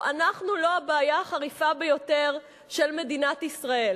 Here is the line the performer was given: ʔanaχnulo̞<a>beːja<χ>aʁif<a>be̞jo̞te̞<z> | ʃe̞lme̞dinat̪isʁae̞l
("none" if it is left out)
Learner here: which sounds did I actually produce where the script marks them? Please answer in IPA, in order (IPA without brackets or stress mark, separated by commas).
a, χ, a, ʁ